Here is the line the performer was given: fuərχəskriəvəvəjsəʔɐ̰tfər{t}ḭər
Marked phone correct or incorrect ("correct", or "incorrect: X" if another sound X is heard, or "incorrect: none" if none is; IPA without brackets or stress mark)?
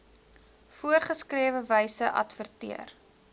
correct